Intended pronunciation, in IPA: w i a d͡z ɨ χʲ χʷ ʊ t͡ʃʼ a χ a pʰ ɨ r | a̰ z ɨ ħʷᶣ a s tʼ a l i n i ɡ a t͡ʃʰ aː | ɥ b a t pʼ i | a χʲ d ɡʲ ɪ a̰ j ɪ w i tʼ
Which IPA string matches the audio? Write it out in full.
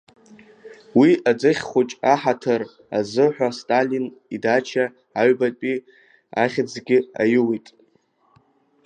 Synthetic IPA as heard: w i a d͡z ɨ χʲ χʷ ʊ t͡ʃʼ a ħ a tʰ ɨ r | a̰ z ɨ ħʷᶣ a s tʼ a l i n i d a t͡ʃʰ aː | ɥ b a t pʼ i | a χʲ d͡z ɡʲ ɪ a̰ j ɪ w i tʼ